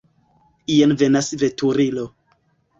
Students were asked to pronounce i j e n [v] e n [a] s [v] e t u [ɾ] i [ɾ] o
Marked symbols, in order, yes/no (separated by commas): yes, yes, yes, yes, no